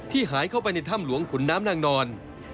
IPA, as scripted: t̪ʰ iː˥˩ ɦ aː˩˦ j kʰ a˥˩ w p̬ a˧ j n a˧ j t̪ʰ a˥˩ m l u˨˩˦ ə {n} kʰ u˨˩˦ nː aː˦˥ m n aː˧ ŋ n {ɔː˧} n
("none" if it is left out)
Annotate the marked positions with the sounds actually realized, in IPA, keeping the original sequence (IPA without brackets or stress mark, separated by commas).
ŋ, ɔː˧